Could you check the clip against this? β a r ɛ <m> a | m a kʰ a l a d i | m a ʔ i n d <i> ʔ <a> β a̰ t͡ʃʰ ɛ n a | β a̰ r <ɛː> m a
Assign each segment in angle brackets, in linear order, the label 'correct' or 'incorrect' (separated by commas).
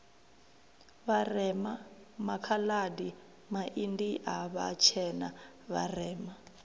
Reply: correct, correct, correct, correct